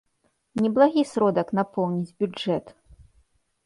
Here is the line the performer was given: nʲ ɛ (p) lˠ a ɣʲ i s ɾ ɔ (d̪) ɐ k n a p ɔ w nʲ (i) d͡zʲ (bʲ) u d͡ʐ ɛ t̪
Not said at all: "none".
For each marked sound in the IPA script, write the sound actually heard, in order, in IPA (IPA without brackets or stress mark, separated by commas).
b, d̪, i, bʲ